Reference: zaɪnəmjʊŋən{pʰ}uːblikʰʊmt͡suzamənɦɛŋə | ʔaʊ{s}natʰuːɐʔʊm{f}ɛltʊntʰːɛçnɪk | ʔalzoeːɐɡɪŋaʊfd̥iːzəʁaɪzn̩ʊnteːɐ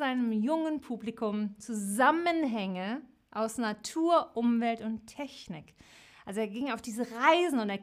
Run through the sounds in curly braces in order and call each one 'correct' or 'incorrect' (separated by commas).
correct, correct, incorrect